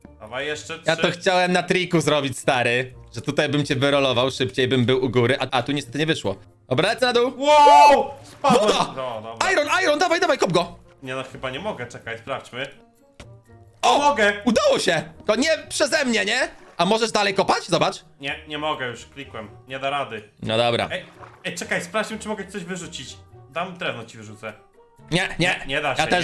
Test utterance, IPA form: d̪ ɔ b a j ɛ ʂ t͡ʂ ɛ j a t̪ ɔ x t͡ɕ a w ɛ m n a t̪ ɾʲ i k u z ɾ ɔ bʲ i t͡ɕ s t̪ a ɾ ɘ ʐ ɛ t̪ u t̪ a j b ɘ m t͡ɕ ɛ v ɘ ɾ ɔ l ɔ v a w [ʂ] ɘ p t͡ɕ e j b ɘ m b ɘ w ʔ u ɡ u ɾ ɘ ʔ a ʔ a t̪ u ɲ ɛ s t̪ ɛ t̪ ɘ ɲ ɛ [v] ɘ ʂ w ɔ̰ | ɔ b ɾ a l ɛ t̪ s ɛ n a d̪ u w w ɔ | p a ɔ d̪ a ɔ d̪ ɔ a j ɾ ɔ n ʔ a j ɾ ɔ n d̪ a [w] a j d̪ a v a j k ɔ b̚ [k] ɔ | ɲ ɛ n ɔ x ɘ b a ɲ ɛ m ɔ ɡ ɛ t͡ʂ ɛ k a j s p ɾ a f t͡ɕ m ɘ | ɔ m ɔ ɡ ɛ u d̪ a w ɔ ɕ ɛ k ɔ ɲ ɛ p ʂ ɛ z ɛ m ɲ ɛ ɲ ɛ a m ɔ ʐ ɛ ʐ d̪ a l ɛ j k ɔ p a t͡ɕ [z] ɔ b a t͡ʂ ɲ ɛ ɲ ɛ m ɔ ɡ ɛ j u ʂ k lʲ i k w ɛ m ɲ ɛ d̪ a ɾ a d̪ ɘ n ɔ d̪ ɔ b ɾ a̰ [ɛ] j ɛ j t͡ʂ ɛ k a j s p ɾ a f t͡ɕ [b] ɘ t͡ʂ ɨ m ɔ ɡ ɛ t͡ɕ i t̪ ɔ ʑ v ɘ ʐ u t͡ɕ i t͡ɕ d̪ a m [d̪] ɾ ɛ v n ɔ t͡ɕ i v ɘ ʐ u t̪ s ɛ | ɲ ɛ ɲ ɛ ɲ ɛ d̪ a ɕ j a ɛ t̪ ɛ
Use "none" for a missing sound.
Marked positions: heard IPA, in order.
ʂ, v, v, ɡ, z, ɛ, m, d̪

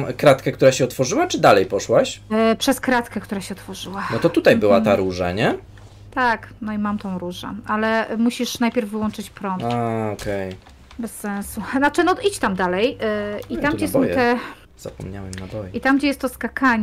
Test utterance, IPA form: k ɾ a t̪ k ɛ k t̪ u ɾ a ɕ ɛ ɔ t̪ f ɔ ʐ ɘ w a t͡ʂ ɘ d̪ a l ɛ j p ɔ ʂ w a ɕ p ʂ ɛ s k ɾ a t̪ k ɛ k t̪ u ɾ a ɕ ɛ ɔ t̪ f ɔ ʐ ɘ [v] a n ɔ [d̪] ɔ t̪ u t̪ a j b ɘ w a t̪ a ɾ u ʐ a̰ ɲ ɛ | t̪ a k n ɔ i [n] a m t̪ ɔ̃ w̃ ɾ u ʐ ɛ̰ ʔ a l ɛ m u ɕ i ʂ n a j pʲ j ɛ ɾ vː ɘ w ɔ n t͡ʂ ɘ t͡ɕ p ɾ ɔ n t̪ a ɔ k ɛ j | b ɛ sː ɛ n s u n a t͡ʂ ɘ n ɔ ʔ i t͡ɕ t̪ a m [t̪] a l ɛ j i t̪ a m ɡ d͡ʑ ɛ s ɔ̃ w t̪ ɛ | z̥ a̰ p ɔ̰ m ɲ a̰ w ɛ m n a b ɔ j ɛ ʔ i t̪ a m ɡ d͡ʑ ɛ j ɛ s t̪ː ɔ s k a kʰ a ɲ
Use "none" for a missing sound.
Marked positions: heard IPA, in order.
w, t̪, m, d̪

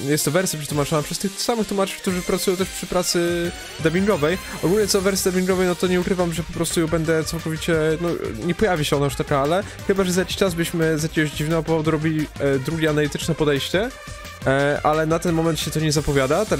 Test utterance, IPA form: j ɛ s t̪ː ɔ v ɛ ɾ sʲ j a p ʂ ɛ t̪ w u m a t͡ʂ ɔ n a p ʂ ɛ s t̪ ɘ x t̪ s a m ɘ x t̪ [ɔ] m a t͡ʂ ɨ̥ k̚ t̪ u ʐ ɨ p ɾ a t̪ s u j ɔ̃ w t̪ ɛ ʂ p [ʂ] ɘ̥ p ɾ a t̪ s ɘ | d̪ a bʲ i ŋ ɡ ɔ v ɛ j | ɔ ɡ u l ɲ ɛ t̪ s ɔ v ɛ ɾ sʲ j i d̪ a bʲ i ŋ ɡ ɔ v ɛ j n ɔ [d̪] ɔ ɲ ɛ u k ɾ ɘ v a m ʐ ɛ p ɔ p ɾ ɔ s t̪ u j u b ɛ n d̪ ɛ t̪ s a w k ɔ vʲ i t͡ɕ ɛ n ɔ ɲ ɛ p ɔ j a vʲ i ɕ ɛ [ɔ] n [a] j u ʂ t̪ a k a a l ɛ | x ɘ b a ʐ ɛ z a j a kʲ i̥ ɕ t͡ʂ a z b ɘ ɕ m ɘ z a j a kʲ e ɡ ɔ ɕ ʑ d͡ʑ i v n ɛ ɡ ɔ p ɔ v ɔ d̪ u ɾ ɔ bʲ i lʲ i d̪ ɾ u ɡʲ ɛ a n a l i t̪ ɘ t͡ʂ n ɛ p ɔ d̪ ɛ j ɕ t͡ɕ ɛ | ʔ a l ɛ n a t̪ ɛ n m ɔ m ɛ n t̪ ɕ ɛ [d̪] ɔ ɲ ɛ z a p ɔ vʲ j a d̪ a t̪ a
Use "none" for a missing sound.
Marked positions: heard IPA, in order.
u, ʂ, t̪, ɔ, a, t̪

